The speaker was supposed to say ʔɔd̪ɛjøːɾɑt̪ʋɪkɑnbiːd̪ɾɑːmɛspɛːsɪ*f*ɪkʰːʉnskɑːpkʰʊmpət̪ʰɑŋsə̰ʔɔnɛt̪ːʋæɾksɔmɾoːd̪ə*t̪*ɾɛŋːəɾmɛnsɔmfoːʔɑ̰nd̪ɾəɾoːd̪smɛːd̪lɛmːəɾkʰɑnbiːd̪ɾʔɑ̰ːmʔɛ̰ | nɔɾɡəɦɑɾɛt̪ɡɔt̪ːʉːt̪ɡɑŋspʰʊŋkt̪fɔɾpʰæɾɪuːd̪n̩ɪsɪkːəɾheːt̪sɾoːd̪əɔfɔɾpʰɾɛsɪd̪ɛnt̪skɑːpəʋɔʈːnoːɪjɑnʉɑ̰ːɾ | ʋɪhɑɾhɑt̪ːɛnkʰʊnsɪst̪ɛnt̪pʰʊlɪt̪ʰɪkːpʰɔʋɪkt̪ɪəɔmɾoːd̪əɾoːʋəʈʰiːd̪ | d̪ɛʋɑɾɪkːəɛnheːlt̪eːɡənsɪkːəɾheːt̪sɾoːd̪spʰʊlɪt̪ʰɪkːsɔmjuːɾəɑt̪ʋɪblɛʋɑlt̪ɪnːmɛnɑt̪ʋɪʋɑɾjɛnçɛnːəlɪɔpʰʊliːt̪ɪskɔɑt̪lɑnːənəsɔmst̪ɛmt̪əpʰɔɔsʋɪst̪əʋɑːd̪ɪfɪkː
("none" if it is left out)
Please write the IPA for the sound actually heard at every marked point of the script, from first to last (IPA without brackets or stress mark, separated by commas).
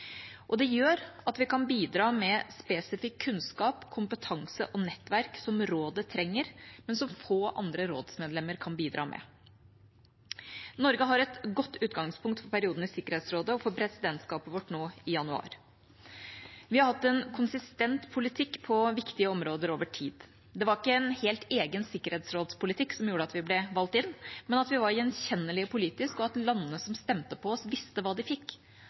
f, t̪ʰ